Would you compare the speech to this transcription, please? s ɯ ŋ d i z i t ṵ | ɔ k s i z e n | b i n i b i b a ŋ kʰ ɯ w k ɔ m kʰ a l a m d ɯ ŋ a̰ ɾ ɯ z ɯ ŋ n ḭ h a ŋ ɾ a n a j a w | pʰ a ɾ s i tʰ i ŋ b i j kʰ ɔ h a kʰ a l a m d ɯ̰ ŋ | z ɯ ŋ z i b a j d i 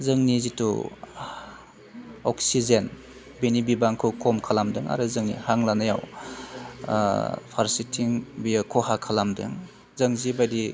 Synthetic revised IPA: z ɯ ŋ n i z i t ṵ | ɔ k s i z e n | b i n i b i b a ŋ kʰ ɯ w k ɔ m kʰ a l a m d ɯ ŋ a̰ ɾ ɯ z ɯ ŋ n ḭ h a ŋ l a n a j a w | pʰ a ɾ s i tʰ i ŋ b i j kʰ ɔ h a kʰ a l a m d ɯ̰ ŋ | z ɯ ŋ z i b a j d i

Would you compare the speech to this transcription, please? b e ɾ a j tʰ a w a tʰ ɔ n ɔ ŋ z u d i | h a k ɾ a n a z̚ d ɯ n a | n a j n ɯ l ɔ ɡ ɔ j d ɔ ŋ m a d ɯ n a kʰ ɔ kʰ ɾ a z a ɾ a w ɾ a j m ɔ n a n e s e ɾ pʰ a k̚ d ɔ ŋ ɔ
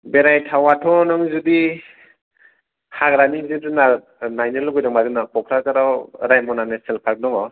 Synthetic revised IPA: b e ɾ a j tʰ a w a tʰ ɔ n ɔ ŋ z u d i | h a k ɾ a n i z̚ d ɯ n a | n a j n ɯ l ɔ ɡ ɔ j d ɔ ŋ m a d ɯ n a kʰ ɔ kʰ ɾ a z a ɾ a w ɾ a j m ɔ n a n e s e l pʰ a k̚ d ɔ ŋ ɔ

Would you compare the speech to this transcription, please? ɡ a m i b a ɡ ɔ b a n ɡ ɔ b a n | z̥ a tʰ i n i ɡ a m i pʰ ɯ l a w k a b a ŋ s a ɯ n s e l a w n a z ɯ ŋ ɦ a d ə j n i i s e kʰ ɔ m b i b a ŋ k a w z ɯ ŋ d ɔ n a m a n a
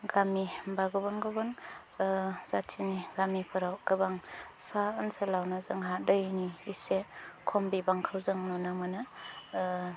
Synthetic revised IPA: ɡ a m i b a ɡ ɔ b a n ɡ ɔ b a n | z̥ a tʰ i n i ɡ a m i pʰ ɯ ɾ a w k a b a ŋ s a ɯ n s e l a w n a z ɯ ŋ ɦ a d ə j n i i s e kʰ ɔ m b i b a ŋ kʰ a w z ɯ ŋ n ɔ n a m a n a

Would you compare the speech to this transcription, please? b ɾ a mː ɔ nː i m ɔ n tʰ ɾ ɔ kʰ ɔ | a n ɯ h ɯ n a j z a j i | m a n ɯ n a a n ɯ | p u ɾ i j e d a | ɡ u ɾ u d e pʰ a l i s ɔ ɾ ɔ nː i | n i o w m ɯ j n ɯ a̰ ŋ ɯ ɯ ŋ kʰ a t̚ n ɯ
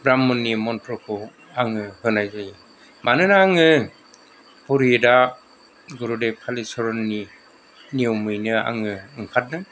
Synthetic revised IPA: b ɾ a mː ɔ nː i m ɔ n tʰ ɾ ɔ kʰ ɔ | a ŋ ɯ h ɯ n a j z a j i | m a n ɯ n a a ŋ ɯ | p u ɾ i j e d a | ɡ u ɾ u d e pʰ a l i s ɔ ɾ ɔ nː i | n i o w m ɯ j n ɯ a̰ ŋ ɯ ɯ ŋ kʰ a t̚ n ɯ

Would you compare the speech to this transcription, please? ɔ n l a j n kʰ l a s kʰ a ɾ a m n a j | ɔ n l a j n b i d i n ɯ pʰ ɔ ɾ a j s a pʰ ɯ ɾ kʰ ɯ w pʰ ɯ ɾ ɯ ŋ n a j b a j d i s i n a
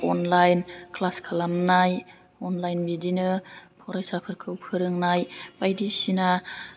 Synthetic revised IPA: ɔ n l a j n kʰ l a s kʰ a l a m n a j | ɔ n l a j n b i d i n ɯ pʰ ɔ ɾ a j s a pʰ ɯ ɾ kʰ ɯ w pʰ ɯ ɾ ɯ ŋ n a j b a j d i s i n a

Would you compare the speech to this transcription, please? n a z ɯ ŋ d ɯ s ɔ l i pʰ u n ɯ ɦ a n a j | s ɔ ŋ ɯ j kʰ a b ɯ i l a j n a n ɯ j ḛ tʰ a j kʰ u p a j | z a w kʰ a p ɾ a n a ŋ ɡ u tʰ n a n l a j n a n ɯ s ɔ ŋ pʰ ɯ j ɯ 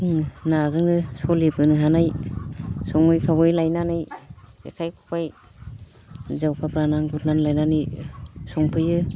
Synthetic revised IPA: n a z ɯ ŋ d ɯ s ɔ l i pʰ ɯ n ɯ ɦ a n a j | s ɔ ŋ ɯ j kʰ a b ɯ j l a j n a n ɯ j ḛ kʰ a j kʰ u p a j | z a w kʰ a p ɾ a n a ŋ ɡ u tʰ n a n l a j n a n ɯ s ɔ ŋ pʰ ɯ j ɯ

